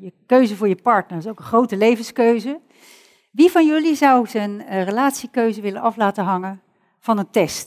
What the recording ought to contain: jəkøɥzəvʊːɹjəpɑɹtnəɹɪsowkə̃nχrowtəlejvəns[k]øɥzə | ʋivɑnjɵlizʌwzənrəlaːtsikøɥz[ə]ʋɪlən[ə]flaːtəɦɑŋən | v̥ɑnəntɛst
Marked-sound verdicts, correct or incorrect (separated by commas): correct, correct, incorrect